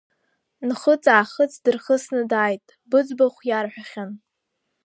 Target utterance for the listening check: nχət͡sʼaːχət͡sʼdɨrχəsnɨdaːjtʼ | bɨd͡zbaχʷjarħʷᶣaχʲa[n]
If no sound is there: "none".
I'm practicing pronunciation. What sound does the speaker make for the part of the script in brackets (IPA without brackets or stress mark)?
n